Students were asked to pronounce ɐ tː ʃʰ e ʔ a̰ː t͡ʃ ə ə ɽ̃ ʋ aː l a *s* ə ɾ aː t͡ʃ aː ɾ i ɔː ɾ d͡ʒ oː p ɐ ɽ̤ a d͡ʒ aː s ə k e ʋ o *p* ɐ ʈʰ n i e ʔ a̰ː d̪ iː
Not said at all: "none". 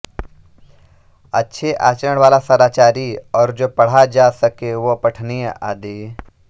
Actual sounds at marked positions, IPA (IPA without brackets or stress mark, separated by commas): s, p